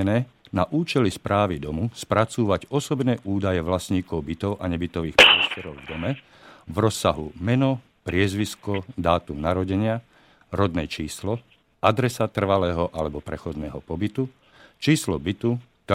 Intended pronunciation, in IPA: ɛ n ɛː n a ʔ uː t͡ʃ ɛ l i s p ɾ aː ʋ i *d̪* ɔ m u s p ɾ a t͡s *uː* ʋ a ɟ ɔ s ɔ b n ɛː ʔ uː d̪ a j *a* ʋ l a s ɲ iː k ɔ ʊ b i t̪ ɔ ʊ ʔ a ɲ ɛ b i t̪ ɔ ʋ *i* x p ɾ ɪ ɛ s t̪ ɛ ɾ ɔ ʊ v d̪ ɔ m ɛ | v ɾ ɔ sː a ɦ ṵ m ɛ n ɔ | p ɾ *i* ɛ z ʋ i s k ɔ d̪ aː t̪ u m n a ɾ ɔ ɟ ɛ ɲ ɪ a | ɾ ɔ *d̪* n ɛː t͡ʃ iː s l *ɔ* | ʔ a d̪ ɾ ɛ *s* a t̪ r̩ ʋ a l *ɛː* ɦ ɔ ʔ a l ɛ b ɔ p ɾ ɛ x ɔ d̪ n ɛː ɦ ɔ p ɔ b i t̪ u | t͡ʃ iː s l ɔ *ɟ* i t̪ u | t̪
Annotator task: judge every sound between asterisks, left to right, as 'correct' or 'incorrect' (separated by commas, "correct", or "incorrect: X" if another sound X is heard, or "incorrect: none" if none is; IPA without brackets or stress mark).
correct, correct, incorrect: ɛ, incorrect: iː, incorrect: ɪ, correct, correct, correct, correct, incorrect: b